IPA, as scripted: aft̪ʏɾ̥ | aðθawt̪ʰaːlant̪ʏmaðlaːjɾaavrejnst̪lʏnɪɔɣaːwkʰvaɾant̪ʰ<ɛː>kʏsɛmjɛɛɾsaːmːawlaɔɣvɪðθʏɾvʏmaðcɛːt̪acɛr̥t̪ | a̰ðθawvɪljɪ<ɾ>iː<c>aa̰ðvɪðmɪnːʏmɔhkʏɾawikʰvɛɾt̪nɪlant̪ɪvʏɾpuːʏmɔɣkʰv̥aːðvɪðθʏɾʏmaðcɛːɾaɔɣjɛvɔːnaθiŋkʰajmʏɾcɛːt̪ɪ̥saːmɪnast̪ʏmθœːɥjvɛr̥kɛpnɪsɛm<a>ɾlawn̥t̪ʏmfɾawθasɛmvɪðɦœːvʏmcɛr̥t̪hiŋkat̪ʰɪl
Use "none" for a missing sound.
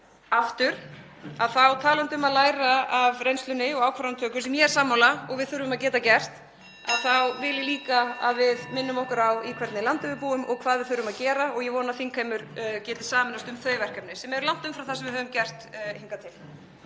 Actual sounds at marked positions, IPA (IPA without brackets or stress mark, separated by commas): œː, l, k, ɛ